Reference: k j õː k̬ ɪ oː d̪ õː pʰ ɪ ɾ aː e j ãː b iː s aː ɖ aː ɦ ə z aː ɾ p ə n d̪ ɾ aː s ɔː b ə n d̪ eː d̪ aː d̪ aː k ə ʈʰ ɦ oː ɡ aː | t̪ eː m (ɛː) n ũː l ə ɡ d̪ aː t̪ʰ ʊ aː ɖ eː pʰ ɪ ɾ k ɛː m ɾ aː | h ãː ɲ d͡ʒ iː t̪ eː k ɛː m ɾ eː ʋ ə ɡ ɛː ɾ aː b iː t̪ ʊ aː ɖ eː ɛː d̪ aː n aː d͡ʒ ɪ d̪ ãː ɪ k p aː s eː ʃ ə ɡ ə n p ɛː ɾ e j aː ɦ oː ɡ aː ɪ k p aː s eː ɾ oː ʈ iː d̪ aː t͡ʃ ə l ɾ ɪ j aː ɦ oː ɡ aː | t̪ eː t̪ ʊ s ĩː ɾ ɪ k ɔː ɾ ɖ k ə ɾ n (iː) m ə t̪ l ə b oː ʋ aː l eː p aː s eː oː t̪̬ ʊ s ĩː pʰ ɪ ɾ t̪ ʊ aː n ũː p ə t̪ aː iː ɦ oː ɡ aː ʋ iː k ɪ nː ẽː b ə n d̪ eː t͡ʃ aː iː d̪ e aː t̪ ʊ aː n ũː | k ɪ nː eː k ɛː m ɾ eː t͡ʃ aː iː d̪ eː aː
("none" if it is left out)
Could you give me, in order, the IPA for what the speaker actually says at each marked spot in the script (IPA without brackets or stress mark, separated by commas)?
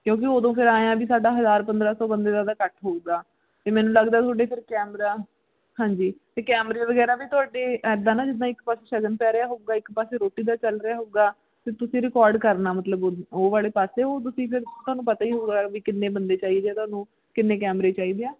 ɛː, aː